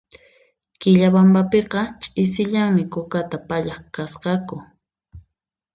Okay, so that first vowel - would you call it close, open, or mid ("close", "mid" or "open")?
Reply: close